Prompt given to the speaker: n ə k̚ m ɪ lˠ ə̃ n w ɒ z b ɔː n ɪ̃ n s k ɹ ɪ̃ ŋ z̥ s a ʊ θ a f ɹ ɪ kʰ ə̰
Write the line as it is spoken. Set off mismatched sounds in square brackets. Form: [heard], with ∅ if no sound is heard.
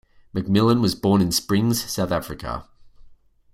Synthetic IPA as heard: [m] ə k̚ m ɪ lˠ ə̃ n w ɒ z b ɔː n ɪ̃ n s [p] ɹ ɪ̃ ŋ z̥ s a ʊ θ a f ɹ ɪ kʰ ə̰